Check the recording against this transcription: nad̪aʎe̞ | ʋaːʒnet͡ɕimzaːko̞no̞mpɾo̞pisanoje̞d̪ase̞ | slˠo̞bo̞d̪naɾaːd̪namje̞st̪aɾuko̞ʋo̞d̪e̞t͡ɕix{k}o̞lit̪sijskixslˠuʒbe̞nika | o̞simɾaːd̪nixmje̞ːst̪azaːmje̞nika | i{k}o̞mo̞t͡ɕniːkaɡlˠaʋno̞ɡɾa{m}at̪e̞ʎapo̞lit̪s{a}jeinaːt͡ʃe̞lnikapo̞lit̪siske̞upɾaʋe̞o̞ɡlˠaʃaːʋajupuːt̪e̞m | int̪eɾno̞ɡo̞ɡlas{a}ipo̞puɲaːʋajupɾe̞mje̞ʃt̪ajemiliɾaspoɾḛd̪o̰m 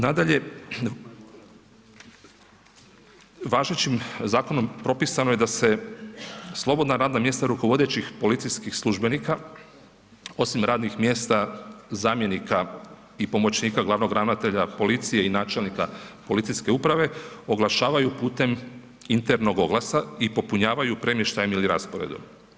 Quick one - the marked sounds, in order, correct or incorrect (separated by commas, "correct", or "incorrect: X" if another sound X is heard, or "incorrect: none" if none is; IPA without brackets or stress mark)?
incorrect: p, incorrect: p, incorrect: n, incorrect: i, correct